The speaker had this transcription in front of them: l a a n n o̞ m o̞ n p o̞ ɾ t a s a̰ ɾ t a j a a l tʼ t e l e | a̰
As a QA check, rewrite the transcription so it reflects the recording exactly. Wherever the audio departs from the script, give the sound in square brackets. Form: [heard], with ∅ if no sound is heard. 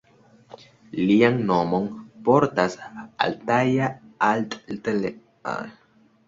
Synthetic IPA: l [i] a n n o̞ m o̞ n p o̞ ɾ t a s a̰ [l] t a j a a l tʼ t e l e | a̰